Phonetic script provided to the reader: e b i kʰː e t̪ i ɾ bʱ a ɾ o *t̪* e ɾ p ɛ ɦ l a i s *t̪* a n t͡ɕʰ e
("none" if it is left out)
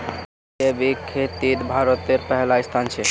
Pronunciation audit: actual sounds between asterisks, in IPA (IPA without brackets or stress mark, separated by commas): t̪, t̪ʰ